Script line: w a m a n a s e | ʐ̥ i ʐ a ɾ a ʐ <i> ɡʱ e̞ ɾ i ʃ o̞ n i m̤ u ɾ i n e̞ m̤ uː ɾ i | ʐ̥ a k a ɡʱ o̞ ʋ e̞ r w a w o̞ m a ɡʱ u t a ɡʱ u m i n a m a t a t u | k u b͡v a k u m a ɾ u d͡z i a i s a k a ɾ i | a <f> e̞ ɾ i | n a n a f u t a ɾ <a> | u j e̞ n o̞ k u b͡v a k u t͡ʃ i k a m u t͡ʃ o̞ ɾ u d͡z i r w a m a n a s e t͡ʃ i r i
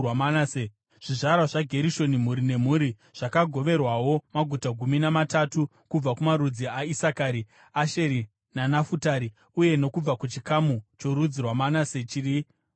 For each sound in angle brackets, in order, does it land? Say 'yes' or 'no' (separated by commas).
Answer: no, no, no